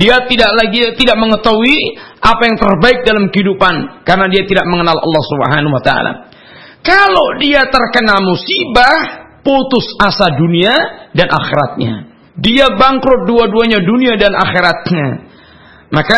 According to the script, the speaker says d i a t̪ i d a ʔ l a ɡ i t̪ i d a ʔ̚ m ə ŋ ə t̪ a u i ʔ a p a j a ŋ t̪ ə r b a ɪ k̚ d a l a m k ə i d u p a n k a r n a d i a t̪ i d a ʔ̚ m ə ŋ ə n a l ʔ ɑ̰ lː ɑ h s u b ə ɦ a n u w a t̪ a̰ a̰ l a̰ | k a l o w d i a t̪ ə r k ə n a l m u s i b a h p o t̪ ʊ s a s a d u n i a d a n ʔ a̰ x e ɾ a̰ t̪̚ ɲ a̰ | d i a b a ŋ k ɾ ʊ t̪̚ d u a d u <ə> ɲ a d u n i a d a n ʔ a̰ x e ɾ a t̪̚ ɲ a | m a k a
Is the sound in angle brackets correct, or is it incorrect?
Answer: incorrect